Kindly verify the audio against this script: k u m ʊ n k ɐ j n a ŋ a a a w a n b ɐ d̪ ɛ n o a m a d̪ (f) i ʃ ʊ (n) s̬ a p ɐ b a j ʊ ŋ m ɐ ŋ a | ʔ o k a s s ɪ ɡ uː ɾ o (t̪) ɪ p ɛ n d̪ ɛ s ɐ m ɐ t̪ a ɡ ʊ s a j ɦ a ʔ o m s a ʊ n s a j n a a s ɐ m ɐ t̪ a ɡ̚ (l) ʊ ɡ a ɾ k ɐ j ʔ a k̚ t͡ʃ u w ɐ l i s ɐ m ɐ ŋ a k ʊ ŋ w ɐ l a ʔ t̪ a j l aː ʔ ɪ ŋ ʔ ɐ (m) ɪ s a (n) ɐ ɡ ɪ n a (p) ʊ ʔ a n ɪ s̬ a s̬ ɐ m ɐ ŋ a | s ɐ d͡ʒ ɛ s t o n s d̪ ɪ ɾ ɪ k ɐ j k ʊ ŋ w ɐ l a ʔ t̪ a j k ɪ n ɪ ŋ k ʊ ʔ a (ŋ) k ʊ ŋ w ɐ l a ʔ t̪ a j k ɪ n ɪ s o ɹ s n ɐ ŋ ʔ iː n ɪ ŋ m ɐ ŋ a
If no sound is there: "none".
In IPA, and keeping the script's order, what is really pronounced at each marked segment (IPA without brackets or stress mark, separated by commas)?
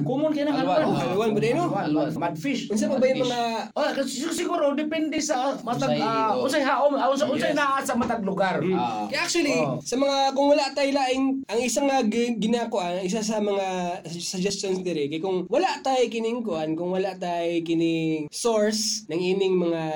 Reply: f, n, d̪, l, ŋ, ŋ, k, n